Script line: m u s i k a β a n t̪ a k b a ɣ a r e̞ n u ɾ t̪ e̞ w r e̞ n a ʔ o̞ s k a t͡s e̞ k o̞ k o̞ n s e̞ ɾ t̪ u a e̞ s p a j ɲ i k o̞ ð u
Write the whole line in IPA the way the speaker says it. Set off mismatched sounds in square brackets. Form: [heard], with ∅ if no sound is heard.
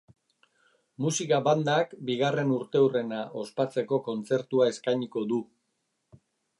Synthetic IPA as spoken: m u s i k a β a n [d̪] a k b [i] ɣ a r e̞ n u ɾ t̪ e̞ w r e̞ n a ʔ o̞ s [p] a t͡s e̞ k o̞ k o̞ n [t͡s] e̞ ɾ t̪ u a e̞ s [k] a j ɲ i k o̞ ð u

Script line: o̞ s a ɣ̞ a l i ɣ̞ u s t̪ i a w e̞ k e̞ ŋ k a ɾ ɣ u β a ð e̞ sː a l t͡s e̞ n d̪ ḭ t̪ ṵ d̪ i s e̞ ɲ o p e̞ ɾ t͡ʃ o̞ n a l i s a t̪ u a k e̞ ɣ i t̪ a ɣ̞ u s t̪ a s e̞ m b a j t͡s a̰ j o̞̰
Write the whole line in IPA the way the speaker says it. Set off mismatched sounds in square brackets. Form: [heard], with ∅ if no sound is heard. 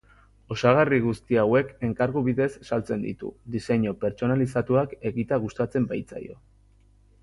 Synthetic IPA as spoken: o̞ s a ɣ̞ a [r] i ɣ̞ u s t̪ i a w e̞ k e̞ ŋ k a ɾ ɣ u β [i] ð e̞ sː a l t͡s e̞ n d̪ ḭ t̪ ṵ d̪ i s e̞ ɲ o p e̞ ɾ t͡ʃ o̞ n a l i s a t̪ u a k e̞ ɣ i t̪ a ɣ̞ u s t̪ a [t͡s] e̞ m b a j t͡s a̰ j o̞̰

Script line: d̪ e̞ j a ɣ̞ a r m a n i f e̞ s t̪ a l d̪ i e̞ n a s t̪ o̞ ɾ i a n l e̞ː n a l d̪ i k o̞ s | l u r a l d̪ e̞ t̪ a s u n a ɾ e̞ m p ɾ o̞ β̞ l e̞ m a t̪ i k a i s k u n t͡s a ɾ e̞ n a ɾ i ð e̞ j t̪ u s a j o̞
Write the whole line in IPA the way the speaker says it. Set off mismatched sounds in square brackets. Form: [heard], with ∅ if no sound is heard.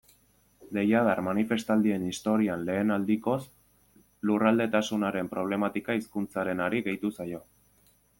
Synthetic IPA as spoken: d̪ e̞ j a [ð̞] a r m a n i f e̞ s t̪ a l d̪ i e̞ n [i] s t̪ o̞ ɾ i a n l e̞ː n a l d̪ i k o̞ s | l u r a l d̪ e̞ t̪ a s u n a ɾ e̞ m p ɾ o̞ β̞ l e̞ m a t̪ i k a i s k u n t͡s a ɾ e̞ n a ɾ i [ɣ] e̞ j t̪ u s a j o̞

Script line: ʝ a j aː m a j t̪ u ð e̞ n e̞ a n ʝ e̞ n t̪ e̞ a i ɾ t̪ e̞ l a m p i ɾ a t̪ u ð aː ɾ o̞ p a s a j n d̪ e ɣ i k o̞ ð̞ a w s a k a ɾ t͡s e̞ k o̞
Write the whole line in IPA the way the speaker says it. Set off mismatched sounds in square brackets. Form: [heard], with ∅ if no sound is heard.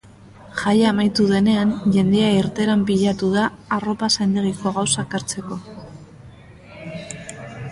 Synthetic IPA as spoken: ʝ a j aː m a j t̪ u ð e̞ n e̞ a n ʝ e̞ n [d̪] e̞ a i ɾ t̪ e̞ [ɾ] a m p i [ʎ] a t̪ u ð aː [r] o̞ p a s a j n d̪ e ɣ i k o̞ [ɣ̞] a w s a k a ɾ t͡s e̞ k o̞

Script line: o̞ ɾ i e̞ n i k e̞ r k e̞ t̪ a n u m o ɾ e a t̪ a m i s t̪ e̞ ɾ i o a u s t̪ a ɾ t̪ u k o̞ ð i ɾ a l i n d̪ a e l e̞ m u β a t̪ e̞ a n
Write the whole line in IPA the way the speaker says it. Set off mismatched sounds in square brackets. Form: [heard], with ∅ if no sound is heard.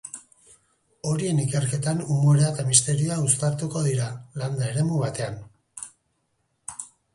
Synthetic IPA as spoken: o̞ ɾ i e̞ n i k e̞ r k e̞ t̪ a n u m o ɾ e a t̪ a m i s t̪ e̞ ɾ i o a u s t̪ a ɾ t̪ u k o̞ ð i ɾ a l [a] n d̪ a e [ɾ] e̞ m u β a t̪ e̞ a n

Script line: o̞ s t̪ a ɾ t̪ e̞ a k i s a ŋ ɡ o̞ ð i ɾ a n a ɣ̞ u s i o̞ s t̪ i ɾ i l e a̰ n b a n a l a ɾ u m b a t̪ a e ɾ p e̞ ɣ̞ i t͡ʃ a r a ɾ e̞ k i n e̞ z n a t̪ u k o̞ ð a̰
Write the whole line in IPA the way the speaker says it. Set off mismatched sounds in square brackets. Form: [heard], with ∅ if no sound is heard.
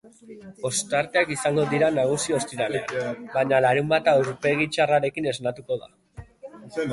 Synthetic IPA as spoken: o̞ s t̪ a ɾ t̪ e̞ a k i s a ŋ ɡ o̞ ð i ɾ a n a ɣ̞ u s i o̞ s t̪ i ɾ [a] l e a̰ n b a [ɲ] a l a ɾ u m b a t̪ a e ɾ p e̞ ɣ̞ i t͡ʃ a r a ɾ e̞ k i n e̞ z n a t̪ u k o̞ ð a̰

